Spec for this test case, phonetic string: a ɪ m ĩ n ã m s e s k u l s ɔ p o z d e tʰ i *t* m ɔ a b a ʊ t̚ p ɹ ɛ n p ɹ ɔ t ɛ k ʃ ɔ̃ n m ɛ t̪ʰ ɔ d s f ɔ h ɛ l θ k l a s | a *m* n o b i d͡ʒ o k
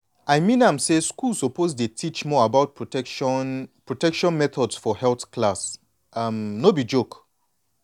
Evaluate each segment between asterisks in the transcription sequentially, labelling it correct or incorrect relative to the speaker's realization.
incorrect, correct

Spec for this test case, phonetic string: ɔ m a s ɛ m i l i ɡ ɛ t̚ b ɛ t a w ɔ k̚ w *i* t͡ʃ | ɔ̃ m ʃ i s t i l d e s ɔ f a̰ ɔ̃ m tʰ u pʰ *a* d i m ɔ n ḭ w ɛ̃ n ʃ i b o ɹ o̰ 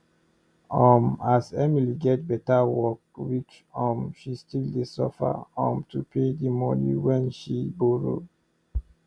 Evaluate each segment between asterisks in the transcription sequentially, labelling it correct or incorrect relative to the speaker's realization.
correct, incorrect

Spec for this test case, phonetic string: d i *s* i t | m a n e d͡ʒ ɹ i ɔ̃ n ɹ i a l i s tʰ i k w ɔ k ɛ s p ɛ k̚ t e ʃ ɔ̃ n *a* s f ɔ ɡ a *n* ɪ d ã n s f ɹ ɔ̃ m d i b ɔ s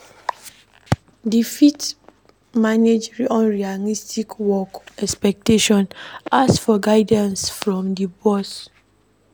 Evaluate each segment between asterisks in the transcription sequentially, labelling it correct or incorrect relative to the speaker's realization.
incorrect, correct, incorrect

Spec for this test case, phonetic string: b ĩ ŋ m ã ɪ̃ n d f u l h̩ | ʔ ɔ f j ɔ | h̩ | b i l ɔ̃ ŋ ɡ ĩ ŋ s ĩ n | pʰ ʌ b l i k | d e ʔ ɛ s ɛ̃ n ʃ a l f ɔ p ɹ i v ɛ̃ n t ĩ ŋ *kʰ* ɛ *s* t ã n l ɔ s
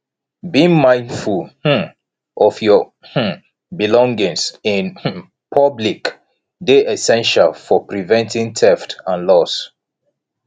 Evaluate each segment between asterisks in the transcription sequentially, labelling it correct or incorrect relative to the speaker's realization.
incorrect, incorrect

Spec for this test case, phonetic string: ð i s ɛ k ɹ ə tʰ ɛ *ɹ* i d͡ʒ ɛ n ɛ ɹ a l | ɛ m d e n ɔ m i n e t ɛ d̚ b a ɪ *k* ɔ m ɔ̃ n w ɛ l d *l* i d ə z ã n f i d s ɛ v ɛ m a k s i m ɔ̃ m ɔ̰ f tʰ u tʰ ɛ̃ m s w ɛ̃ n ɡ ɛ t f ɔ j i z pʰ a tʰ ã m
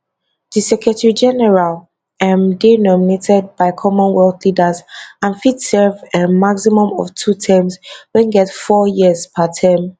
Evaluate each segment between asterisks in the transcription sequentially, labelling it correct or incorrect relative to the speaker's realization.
correct, incorrect, correct

